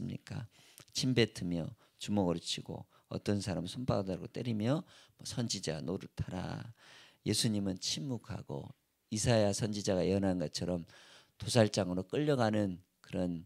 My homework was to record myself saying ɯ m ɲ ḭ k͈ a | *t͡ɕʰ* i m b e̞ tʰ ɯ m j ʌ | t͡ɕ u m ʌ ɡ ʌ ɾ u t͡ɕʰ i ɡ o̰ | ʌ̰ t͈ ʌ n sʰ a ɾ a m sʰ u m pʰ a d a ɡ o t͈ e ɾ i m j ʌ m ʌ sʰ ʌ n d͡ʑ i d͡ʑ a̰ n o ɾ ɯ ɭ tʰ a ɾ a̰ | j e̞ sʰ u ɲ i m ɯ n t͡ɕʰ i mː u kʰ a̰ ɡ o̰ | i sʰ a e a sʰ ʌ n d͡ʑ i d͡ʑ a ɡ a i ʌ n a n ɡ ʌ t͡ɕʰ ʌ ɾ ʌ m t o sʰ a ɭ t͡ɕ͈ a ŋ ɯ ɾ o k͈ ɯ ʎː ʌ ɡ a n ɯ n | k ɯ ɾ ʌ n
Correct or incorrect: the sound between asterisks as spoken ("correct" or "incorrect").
correct